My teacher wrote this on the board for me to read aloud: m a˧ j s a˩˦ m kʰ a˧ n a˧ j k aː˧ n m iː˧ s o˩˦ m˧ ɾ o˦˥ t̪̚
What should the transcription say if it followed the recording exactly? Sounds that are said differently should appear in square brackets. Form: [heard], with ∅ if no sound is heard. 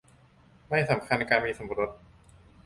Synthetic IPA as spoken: m [a˥˩] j s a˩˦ m kʰ a˧ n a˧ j k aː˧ n m iː˧ s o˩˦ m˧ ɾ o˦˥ t̪̚